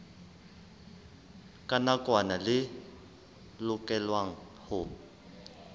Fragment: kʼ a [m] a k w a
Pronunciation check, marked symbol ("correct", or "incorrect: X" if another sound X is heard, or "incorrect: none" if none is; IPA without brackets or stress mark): incorrect: n